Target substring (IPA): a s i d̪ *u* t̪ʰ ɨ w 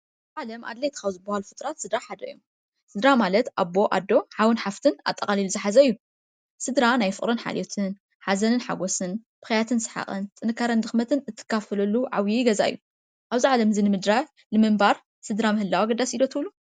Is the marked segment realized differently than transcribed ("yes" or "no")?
yes